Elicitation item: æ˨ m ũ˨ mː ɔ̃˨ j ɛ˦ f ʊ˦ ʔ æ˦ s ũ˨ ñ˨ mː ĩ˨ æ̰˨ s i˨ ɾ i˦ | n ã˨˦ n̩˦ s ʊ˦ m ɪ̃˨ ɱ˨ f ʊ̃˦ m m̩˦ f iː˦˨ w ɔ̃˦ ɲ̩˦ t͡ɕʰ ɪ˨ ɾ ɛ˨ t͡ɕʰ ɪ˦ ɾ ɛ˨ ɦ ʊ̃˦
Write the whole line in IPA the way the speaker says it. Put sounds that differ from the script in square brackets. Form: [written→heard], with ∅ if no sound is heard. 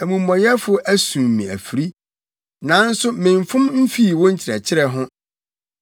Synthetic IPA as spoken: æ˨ m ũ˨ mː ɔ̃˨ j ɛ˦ f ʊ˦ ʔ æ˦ s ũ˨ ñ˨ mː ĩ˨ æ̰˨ [s→f] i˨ ɾ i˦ | n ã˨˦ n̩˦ s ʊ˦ m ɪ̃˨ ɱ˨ f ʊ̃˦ m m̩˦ f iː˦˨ w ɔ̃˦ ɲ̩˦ t͡ɕʰ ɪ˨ ɾ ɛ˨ t͡ɕʰ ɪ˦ ɾ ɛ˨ ɦ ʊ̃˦